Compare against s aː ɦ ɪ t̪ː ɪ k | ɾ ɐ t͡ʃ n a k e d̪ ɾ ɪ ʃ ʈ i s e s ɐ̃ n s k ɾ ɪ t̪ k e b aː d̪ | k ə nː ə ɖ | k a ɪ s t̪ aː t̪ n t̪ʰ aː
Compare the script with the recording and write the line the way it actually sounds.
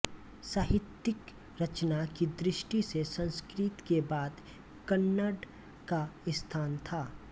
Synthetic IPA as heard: s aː ɦ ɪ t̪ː ɪ k | ɾ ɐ t͡ʃ n a k i d̪ ɾ ɪ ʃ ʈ i s e s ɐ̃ n s k ɾ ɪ t̪ k e b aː d̪ | k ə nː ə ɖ | k a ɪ s t̪ʰ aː n t̪ʰ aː